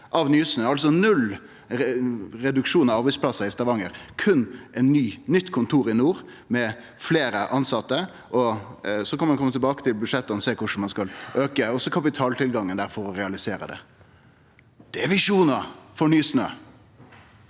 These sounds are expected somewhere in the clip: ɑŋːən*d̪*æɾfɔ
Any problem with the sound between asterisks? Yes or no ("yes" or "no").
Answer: no